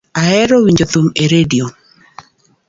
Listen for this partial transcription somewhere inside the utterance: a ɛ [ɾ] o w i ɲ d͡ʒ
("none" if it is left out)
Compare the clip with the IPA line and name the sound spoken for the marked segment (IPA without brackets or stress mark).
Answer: ɾ